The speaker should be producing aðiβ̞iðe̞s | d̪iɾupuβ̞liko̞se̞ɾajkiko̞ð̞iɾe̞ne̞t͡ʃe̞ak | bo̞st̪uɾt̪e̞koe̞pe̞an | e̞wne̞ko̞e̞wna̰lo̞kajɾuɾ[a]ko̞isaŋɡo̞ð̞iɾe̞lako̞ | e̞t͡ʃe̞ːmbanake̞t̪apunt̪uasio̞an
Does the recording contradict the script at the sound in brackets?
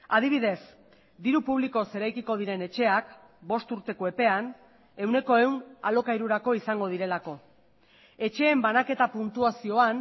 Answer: no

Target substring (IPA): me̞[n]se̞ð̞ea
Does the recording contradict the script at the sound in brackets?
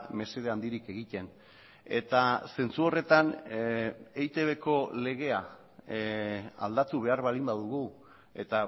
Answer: yes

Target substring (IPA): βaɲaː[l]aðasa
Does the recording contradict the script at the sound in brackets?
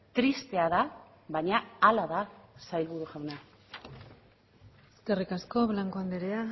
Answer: no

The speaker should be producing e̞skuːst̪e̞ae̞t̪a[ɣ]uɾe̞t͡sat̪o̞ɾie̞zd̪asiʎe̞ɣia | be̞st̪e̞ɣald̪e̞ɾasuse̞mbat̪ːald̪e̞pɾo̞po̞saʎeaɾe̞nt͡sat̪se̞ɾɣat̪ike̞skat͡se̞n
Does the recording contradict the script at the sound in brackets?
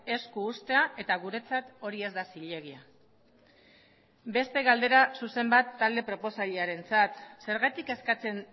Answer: no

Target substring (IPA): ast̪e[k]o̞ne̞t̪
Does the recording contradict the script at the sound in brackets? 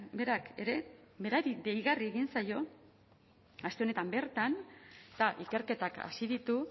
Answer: yes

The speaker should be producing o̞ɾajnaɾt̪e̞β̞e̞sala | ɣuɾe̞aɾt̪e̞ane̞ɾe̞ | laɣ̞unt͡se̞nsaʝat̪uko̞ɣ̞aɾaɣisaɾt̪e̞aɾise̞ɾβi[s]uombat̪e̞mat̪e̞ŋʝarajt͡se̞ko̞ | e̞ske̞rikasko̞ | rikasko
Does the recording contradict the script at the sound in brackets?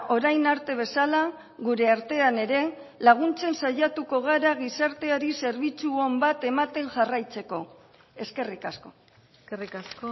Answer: yes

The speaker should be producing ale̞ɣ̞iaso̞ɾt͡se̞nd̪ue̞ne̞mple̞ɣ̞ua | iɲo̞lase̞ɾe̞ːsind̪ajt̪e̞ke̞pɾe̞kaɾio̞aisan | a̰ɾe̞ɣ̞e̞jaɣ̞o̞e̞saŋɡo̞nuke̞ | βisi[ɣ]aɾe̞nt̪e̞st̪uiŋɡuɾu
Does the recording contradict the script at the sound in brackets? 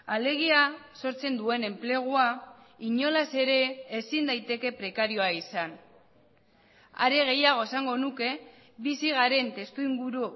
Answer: no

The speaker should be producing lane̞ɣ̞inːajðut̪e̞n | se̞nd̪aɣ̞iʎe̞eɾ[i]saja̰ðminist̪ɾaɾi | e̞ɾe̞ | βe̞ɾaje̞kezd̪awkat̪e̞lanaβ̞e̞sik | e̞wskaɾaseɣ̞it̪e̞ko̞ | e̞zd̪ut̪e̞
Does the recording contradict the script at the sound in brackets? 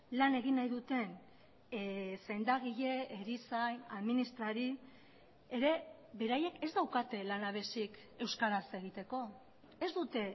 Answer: no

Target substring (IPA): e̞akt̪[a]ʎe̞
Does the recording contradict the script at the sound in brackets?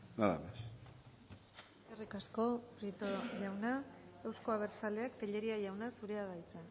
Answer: yes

